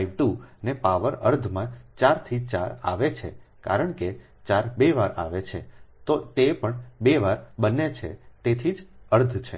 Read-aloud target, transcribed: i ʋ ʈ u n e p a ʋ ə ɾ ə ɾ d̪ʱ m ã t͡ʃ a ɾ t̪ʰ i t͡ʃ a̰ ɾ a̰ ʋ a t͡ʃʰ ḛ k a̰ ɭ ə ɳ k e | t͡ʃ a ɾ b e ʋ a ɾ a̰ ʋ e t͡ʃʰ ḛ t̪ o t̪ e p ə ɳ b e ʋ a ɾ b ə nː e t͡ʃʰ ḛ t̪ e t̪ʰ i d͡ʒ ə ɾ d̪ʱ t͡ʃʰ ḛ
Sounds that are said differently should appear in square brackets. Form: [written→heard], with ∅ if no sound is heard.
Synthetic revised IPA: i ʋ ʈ u n e p a ʋ ə ɾ ə ɾ d̪ʱ m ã t͡ʃ a ɾ t̪ʰ i t͡ʃ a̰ ɾ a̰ ʋ [a→e] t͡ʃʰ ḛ k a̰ [ɭ→ɾ] ə ɳ k e | t͡ʃ a ɾ b e ʋ a ɾ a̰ ʋ e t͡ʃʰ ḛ t̪ o t̪ e p ə ɳ b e ʋ a ɾ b ə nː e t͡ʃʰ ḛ t̪ e t̪ʰ i d͡ʒ ə ɾ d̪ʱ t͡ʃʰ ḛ